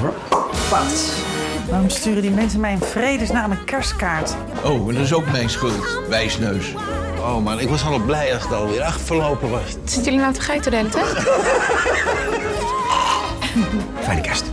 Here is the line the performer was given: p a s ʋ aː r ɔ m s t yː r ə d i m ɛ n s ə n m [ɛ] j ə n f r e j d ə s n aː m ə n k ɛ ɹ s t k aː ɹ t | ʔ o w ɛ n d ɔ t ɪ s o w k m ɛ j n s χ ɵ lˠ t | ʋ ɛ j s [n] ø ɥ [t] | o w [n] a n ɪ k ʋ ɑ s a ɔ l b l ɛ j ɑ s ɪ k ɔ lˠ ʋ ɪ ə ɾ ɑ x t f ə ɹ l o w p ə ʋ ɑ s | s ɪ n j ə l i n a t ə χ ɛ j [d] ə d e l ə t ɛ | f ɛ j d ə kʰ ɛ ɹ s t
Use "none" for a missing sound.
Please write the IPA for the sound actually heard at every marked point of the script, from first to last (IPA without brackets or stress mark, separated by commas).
ɛ, n, s, m, t